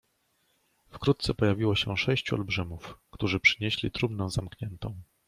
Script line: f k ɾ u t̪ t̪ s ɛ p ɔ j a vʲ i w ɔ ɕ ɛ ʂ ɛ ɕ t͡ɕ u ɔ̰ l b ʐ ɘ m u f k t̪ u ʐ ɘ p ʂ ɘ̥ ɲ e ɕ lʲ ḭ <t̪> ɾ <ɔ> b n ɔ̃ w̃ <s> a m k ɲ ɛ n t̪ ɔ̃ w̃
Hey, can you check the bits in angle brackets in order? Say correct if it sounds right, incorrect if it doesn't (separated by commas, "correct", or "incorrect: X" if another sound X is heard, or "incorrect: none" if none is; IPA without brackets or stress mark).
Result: correct, incorrect: u, incorrect: z